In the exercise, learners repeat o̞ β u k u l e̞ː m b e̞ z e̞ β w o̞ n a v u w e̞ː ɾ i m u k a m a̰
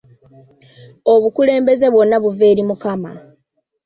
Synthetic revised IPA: o̞ β u k u l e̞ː m b e̞ z e̞ β w o̞ nː a β u v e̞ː ɾ i m u k a m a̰